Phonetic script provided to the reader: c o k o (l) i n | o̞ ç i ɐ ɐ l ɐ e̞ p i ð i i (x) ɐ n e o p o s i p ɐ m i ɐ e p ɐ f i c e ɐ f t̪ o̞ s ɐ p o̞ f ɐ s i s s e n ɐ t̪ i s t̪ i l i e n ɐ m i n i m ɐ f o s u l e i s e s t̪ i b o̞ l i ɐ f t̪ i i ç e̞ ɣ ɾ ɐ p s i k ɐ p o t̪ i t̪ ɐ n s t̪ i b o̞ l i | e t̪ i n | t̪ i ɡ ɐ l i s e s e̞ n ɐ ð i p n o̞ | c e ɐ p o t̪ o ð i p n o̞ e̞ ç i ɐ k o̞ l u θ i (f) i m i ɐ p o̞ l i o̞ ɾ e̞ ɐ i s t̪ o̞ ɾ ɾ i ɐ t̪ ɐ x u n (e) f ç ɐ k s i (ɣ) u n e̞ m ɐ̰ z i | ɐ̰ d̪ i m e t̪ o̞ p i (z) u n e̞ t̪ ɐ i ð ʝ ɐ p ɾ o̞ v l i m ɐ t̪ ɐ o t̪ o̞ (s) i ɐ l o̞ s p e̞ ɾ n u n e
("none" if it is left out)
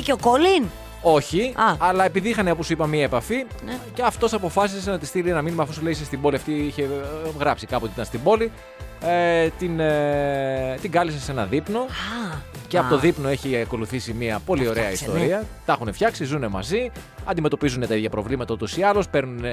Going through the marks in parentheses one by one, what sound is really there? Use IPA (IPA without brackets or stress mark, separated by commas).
l, x, s, e, z, z, s